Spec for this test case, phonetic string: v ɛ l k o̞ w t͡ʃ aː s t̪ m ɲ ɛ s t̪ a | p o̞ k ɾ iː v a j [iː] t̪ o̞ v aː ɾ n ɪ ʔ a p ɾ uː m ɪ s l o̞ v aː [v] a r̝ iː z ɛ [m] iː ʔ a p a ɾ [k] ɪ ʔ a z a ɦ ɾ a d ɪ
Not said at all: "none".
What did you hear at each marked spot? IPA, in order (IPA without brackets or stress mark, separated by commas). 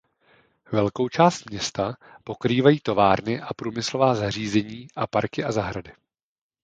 iː, z, ɲ, k